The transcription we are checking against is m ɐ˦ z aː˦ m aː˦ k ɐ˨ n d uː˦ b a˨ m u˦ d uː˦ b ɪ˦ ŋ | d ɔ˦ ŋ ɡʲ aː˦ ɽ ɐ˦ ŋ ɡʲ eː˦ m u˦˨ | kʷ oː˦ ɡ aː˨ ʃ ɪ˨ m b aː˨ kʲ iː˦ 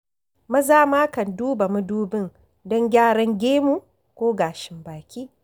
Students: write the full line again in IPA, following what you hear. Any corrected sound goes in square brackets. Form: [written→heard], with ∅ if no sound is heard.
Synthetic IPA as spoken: m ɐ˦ z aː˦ m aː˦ k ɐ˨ n d uː˦ b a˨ m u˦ d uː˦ b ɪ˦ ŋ | d ɔ˦ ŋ ɡʲ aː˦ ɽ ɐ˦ ŋ ɡʲ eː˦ m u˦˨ | kʷ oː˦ ɡ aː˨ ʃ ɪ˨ m b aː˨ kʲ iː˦